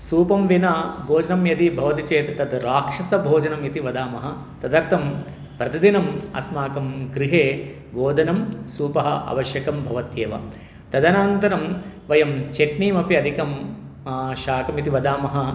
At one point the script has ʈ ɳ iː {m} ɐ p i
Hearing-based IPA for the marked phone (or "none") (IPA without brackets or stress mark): m